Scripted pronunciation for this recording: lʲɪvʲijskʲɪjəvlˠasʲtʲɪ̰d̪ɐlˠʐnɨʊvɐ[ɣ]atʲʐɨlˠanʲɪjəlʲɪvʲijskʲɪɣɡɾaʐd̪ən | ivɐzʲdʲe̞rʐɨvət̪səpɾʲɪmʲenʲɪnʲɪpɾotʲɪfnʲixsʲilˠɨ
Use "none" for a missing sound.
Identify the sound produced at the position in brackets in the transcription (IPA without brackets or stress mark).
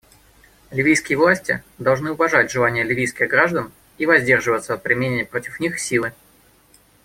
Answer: ʐ